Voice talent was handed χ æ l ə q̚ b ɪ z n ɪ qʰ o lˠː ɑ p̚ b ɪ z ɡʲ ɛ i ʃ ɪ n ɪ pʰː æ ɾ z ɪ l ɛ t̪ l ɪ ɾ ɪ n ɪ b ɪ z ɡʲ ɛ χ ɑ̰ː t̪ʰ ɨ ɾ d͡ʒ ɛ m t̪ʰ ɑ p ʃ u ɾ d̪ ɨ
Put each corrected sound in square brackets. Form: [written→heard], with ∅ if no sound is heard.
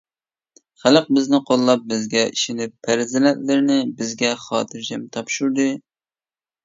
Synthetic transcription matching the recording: χ æ l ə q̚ b ɪ z n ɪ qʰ o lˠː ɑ p̚ b ɪ z ɡʲ ɛ i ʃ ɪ n ɪ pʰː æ ɾ z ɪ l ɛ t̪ l ɪ ɾ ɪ n ɪ b ɪ z ɡʲ ɛ χ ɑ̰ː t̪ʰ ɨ ɾ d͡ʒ ɛ m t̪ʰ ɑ p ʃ u ɾ d̪ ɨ